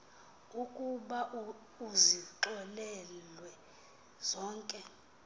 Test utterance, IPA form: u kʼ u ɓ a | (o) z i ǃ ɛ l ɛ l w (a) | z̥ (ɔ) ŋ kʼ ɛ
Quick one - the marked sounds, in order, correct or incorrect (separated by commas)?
incorrect, incorrect, incorrect